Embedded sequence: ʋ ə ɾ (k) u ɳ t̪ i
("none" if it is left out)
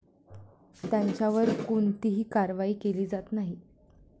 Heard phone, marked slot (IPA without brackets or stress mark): k